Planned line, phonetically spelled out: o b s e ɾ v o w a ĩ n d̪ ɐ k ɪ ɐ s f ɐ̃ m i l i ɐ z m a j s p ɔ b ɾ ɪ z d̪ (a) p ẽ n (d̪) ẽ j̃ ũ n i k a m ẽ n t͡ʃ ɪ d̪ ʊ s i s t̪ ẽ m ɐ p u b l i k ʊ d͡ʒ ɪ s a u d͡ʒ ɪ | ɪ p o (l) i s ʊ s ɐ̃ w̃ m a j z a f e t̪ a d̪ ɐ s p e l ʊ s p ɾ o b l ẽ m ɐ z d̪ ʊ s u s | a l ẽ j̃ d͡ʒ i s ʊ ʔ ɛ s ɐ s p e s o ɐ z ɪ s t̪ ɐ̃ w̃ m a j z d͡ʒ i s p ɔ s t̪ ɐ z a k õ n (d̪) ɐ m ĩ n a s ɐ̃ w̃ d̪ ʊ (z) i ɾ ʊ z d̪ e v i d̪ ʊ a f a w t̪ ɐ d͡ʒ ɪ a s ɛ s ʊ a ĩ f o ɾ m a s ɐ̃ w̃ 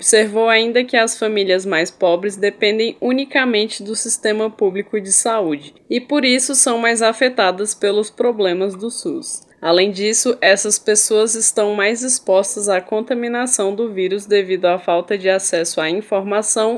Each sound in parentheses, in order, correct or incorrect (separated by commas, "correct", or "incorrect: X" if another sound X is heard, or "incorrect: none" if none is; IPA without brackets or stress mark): incorrect: e, correct, incorrect: ɾ, incorrect: t̪, incorrect: v